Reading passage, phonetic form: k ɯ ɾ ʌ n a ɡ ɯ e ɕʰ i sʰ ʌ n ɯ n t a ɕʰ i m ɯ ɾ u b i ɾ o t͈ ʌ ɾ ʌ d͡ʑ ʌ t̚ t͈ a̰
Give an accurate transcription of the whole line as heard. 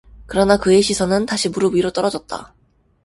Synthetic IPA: k ɯ ɾ ʌ n a k ɯ e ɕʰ i sʰ ʌ n ɯ n t a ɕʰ i m u ɾ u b i ɾ o t͈ ʌ ɾ ʌ d͡ʑ ʌ t̚ t͈ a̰